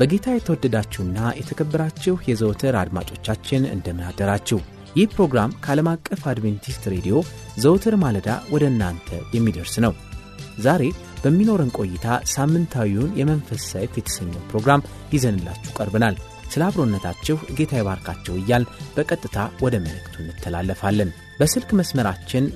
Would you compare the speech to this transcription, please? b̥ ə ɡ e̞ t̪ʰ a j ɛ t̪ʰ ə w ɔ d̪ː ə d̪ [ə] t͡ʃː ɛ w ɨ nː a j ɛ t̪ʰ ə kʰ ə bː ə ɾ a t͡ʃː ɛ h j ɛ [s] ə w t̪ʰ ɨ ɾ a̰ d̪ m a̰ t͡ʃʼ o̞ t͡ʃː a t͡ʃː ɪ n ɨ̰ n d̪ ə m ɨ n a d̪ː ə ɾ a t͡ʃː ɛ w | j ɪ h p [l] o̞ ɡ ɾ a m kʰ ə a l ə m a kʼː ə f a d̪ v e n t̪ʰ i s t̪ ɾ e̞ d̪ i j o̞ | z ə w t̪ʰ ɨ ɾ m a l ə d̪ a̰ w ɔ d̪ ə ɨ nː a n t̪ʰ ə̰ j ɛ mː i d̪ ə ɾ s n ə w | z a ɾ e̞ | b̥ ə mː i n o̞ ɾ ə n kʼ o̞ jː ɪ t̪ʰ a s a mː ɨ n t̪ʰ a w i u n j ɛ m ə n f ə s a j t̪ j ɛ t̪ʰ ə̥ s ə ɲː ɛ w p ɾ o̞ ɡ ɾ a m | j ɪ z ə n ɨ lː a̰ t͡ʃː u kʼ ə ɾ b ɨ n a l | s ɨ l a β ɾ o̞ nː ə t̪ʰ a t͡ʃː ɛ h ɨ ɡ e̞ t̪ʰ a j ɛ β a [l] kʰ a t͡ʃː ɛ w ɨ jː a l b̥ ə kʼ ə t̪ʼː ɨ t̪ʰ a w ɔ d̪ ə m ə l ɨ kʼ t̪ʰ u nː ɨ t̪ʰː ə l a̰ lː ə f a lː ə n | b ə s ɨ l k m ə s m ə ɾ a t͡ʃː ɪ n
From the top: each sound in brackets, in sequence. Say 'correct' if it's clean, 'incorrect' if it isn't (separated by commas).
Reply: incorrect, incorrect, incorrect, incorrect